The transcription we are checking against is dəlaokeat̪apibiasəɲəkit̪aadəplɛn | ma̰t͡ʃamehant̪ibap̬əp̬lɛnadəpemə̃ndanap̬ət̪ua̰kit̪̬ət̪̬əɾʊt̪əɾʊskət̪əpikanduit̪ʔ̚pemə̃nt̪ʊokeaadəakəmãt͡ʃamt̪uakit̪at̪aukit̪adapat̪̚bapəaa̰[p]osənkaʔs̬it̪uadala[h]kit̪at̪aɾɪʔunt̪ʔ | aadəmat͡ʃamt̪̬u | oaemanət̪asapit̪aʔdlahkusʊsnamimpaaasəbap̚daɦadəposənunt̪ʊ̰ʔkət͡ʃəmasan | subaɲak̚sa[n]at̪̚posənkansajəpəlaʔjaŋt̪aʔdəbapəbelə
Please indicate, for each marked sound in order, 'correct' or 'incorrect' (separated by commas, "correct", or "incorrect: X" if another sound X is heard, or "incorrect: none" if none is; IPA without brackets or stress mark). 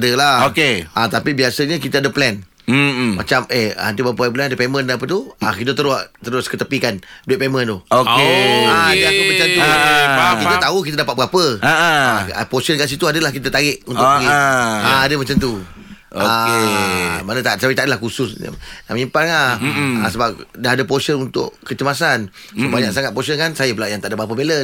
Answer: correct, correct, incorrect: ŋ